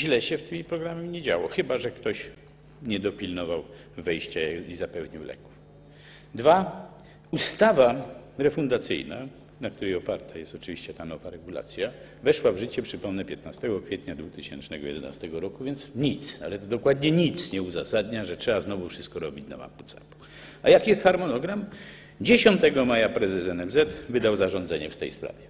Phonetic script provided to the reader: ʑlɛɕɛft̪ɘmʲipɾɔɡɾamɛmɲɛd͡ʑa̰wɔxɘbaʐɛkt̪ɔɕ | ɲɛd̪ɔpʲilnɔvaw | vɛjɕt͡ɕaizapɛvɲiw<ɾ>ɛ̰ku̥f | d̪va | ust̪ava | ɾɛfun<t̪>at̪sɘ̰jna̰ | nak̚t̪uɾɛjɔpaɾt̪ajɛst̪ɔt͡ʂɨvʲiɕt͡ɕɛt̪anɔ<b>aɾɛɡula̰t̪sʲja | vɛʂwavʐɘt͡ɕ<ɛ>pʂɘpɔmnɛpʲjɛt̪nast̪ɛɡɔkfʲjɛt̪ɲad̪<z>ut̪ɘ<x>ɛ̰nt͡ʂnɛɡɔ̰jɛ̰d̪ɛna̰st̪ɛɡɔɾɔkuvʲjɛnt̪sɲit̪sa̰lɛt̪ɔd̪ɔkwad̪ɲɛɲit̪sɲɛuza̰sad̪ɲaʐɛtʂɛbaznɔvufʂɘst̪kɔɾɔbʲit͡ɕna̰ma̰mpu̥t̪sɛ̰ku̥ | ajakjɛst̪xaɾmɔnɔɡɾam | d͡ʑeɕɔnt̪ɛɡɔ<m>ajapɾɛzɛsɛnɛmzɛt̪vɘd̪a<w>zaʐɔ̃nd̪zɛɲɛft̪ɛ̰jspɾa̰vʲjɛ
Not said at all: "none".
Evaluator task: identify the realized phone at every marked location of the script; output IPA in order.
l, d̪, v, ɛ, v, ɕ, m, w

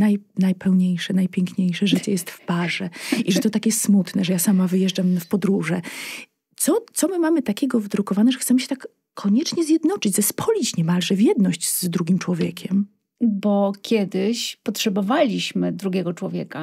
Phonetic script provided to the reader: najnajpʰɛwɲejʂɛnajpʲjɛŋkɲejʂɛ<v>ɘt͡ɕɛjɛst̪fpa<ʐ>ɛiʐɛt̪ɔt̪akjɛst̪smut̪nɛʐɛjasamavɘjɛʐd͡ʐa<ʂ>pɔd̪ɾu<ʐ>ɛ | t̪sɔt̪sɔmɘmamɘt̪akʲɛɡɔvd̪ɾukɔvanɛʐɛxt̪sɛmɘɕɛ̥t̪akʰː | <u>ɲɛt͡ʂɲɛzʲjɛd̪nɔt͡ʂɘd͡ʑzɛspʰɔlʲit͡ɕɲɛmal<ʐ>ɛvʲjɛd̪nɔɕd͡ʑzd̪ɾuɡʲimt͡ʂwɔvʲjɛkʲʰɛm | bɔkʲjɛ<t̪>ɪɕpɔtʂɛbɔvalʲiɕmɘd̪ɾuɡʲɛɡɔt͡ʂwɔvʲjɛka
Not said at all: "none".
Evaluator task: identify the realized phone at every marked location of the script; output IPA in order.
ʐ, ʐ, f, ʐ, ɔ, ʐ, d̪

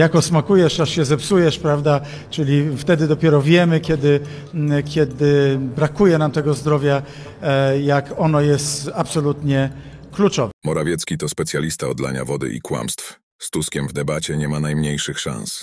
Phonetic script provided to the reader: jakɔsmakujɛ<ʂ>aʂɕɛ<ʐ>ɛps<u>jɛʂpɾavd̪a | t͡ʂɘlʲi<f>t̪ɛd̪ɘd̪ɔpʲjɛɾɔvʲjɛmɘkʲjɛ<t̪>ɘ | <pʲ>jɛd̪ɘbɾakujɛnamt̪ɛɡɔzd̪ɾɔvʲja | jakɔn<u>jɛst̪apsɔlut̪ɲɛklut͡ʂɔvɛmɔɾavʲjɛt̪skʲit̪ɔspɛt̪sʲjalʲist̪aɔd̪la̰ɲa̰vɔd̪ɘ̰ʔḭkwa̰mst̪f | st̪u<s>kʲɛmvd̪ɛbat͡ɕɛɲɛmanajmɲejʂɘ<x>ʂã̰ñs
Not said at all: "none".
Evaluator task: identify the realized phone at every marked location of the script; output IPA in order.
ʂ, z, u, f, d̪, kʲ, ɔ, s, x

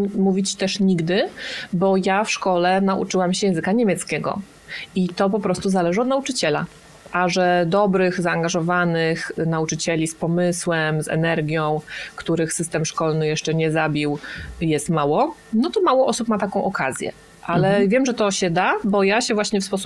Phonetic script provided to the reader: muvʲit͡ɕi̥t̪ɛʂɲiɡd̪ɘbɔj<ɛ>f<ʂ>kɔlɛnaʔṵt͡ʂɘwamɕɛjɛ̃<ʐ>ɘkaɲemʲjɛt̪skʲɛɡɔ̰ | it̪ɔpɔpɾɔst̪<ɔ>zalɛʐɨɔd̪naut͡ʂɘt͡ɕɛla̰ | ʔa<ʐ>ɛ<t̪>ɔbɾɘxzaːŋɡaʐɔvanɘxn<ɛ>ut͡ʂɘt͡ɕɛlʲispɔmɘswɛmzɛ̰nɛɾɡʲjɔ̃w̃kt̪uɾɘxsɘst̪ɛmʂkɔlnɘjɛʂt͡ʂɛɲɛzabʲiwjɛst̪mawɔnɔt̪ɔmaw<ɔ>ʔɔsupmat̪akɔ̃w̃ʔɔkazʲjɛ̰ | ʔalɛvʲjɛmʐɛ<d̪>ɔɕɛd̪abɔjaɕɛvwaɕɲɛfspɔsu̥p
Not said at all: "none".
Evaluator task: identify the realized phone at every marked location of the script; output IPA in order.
a, ʂ, z, u, ʐ, d̪, a, ɔ, t̪

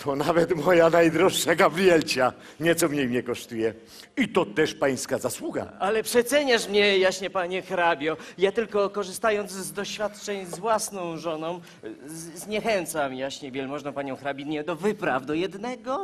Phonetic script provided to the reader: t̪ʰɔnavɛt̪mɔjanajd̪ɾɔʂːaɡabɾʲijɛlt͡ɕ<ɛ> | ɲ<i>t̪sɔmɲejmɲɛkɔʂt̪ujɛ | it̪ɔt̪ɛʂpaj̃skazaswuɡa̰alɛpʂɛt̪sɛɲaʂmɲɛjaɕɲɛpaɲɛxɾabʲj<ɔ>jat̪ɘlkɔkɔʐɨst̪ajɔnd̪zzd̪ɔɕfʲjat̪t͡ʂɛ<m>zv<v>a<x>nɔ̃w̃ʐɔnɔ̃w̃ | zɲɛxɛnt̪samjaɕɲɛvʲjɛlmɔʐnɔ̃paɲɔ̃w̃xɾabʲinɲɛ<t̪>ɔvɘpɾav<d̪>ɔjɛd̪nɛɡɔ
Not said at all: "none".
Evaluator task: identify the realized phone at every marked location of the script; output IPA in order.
a, ɛ, ɔ, ɲ, w, s, d̪, d̪

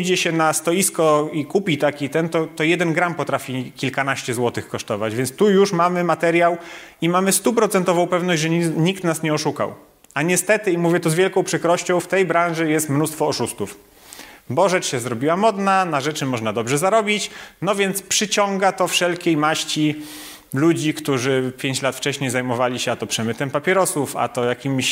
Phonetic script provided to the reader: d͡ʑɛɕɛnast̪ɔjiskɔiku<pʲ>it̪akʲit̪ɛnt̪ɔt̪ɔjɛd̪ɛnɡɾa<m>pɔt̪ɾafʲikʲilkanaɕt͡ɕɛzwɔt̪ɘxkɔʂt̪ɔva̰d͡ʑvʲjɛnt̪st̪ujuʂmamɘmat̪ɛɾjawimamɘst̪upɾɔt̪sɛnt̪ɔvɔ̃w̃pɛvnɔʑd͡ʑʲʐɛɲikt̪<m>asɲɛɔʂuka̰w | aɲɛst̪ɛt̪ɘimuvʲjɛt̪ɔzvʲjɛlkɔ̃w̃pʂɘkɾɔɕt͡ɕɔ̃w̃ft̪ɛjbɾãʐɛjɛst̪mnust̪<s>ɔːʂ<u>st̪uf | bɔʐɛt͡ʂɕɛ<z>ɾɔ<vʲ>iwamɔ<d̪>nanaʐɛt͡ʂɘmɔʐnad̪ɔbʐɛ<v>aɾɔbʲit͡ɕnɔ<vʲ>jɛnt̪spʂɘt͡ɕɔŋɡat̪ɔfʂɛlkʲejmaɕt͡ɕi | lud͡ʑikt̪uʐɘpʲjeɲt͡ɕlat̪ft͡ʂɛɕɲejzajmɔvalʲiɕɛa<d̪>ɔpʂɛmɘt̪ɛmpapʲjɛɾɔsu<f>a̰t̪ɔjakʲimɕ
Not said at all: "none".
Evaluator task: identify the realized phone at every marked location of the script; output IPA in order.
pʲ, m, n, f, u, z, bʲ, d̪, z, vʲ, t̪, f

